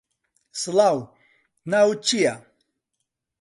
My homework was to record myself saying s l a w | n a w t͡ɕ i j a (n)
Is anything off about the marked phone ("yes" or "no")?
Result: yes